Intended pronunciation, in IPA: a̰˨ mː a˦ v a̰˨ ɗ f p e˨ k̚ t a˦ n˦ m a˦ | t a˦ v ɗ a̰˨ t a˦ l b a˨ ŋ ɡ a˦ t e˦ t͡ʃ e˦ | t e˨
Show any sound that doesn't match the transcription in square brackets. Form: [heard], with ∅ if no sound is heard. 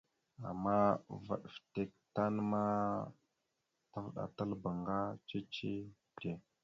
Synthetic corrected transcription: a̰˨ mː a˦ v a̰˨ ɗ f [t] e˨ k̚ t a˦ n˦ m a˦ | t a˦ v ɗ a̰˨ t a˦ l b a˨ ŋ ɡ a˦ [t͡ʃ] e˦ t͡ʃ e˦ | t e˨